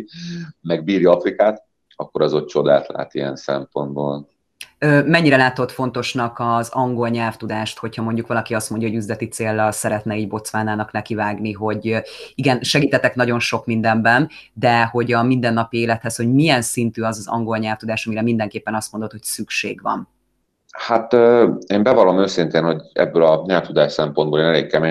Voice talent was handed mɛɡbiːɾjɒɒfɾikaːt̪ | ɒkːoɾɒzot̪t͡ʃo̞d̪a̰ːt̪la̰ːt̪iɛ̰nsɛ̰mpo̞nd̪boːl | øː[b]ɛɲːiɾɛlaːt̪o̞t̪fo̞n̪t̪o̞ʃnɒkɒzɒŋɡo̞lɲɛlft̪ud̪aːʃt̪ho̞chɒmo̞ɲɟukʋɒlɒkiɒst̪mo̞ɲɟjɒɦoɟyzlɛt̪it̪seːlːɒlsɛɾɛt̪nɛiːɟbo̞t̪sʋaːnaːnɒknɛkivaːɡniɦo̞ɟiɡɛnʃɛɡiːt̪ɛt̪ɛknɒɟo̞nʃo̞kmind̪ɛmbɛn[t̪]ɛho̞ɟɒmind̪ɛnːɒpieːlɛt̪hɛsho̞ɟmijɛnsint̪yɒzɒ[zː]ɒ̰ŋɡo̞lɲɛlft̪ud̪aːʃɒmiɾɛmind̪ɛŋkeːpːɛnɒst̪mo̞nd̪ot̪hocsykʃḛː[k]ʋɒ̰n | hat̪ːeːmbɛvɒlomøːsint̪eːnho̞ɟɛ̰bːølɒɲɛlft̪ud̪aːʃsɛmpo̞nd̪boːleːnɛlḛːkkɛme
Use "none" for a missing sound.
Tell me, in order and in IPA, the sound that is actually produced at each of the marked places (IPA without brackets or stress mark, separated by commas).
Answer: m, d̪, z, ɡ